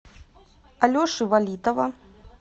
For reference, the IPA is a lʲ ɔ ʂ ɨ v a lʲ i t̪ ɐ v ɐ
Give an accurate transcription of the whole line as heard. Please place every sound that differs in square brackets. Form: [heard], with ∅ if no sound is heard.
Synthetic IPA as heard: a lʲ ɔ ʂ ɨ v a lʲ i t̪ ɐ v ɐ